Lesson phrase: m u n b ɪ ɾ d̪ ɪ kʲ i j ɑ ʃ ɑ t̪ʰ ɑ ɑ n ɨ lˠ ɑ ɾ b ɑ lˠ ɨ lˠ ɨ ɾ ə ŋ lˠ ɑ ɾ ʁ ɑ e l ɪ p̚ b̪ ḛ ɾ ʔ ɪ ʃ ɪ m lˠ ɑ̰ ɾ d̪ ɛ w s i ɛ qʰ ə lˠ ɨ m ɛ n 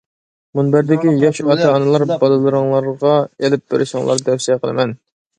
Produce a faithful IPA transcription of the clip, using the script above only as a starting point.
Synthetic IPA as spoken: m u n b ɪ ɾ d̪ ɪ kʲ i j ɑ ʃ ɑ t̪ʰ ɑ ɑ n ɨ lˠ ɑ ɾ b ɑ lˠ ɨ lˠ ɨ ɾ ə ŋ lˠ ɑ ɾ ʁ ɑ e l ɪ p̚ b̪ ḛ ɾ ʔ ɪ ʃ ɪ ŋ lˠ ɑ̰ ɾ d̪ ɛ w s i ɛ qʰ ə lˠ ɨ m ɛ n